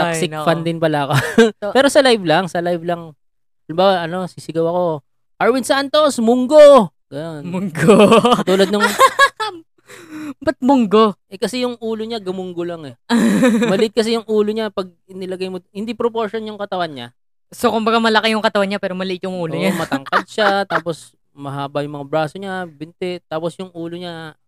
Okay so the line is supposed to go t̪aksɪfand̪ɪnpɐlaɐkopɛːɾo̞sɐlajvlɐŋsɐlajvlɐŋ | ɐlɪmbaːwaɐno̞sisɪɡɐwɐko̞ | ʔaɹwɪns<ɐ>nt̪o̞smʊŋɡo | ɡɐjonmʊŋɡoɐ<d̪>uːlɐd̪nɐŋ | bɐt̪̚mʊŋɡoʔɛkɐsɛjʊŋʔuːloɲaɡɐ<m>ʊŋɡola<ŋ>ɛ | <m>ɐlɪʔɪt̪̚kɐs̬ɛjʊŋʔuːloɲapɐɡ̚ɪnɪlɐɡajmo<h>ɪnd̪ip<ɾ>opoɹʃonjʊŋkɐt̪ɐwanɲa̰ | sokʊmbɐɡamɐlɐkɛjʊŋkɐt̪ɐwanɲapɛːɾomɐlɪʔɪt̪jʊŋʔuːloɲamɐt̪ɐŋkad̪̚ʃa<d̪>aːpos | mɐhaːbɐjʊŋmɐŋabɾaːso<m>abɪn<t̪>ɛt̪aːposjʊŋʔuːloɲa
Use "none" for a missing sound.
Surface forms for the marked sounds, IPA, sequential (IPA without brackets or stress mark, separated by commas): a, t̪, m, ŋ, m, h, ɾ, t̪, ɲ, t̪